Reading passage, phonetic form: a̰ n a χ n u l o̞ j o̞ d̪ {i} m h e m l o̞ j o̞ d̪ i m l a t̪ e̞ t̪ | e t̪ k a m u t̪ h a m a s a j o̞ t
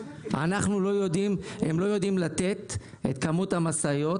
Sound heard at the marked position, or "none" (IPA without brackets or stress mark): i